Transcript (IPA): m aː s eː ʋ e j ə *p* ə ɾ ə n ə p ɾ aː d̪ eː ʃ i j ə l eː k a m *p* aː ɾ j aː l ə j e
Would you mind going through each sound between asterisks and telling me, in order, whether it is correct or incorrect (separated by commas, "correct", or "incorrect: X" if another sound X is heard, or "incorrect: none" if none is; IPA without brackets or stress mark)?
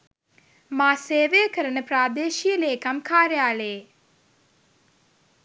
incorrect: k, incorrect: k